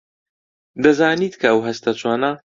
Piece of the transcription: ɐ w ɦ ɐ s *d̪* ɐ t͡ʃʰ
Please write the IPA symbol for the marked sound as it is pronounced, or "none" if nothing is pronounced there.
t̪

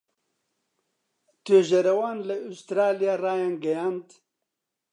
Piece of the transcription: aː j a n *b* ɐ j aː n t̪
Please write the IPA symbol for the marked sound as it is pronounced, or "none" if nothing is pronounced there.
ɡ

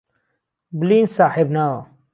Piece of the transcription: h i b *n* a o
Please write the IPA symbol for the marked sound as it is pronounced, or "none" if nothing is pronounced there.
n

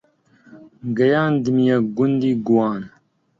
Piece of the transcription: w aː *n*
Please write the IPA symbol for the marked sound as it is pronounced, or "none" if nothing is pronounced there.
n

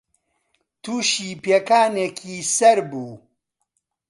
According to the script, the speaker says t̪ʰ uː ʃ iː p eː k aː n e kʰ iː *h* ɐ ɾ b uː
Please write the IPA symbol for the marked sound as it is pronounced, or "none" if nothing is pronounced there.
s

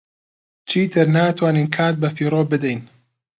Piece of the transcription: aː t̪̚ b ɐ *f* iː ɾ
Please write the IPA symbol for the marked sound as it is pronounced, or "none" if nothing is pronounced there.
f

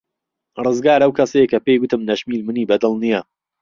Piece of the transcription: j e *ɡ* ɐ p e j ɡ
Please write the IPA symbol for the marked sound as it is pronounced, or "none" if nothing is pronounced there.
k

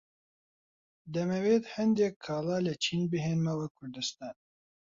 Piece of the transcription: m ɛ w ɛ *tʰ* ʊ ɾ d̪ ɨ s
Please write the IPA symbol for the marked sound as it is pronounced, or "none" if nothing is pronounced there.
kʰ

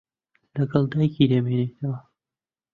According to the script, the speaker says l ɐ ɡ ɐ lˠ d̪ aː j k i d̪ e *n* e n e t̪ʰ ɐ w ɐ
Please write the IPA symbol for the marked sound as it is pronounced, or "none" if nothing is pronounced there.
m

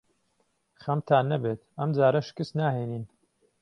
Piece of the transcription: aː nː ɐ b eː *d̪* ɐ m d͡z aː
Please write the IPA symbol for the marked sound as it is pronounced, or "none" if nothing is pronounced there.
t̪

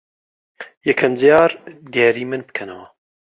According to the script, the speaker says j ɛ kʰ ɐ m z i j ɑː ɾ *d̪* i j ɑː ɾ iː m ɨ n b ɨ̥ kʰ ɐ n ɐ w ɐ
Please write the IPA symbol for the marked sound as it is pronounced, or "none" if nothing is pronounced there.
d̪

